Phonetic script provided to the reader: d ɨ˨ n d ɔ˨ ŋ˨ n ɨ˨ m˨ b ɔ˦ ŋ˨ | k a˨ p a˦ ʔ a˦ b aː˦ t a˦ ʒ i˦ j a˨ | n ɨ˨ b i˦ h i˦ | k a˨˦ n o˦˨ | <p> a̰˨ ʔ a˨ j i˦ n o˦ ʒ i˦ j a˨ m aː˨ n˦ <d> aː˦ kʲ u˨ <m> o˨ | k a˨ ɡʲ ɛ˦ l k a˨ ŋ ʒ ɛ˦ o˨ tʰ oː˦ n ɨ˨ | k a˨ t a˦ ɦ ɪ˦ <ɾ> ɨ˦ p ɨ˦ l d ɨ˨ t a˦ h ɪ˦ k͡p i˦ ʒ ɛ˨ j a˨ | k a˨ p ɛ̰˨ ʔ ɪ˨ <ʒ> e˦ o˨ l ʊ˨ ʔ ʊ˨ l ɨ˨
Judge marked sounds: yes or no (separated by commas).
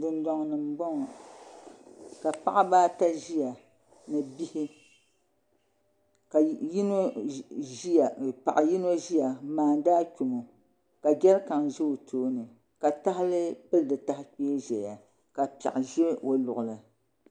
yes, yes, yes, no, yes